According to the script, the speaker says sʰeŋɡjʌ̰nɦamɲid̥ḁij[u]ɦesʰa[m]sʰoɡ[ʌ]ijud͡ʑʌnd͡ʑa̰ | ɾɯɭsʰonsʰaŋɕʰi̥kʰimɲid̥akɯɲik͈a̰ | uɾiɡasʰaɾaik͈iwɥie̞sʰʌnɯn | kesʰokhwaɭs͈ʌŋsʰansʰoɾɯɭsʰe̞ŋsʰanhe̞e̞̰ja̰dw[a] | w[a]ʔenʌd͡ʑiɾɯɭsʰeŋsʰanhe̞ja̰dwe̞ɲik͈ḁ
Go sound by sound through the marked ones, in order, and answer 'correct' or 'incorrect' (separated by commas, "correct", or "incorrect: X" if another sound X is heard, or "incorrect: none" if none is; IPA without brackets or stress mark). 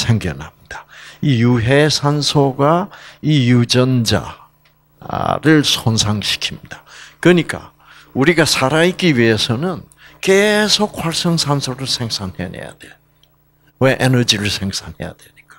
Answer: correct, incorrect: n, incorrect: a, incorrect: e, incorrect: e